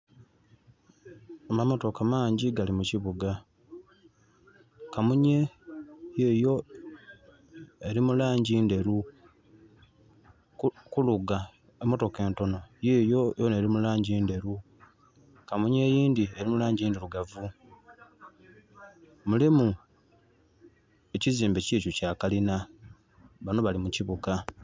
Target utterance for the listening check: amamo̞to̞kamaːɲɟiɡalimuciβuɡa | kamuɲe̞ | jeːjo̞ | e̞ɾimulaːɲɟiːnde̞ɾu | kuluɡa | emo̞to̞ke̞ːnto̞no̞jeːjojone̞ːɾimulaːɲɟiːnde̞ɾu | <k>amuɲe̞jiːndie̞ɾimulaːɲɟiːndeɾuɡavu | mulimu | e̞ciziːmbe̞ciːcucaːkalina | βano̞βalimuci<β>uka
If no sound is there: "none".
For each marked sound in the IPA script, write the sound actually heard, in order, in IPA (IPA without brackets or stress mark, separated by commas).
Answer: k, β